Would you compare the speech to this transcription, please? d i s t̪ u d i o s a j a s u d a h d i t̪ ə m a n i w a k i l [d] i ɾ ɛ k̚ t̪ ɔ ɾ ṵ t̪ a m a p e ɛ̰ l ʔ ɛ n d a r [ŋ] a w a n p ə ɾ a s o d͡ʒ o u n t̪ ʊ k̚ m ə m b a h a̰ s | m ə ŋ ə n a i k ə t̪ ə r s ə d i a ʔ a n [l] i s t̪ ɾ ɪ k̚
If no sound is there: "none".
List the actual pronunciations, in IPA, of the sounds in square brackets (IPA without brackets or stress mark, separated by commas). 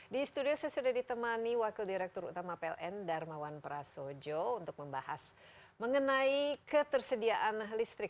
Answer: d, m, l